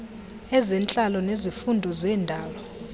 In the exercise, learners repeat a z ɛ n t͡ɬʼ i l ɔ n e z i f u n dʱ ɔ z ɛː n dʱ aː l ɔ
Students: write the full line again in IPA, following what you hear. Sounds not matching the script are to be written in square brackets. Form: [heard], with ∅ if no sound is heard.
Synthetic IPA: [ɛ] z ɛ n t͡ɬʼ [a] l ɔ n e z i f u n dʱ ɔ z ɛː n dʱ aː l ɔ